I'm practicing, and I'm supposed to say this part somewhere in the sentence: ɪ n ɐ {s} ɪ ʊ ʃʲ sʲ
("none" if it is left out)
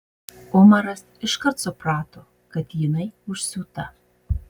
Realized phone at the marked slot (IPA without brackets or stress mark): none